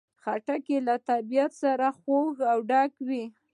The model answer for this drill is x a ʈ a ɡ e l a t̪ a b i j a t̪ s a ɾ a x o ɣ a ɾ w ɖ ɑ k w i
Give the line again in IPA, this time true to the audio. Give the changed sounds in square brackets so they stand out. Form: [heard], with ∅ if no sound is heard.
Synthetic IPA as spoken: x a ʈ a [k] e l a t̪ a b i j a t̪ s a ɾ a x o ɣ a [∅] w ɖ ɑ k w i